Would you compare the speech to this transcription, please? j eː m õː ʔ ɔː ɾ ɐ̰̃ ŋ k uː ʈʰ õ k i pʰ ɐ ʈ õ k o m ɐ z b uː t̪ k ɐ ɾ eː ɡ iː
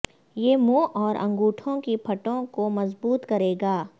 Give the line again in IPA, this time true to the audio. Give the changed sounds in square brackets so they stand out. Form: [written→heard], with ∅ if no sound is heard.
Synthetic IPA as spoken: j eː m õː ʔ ɔː ɾ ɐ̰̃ ŋ [k→ɡ] uː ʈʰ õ k i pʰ ɐ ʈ õ k o m ɐ z b uː t̪ k ɐ ɾ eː ɡ [iː→aː]